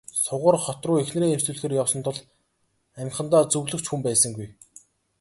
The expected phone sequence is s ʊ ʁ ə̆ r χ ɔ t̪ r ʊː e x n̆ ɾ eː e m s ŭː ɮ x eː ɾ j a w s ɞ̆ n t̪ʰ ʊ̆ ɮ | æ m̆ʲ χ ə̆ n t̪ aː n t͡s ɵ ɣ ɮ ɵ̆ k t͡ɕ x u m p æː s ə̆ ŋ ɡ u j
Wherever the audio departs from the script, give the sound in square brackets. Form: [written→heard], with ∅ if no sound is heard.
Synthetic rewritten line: s ʊ ʁ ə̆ r χ ɔ t̪ r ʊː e x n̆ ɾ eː e m s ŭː ɮ x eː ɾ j a w s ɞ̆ n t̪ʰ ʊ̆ ɮ | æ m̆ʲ χ ə̆ n t̪ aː [n→∅] t͡s ɵ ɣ ɮ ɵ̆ k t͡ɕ x u m p æː s ə̆ ŋ ɡ u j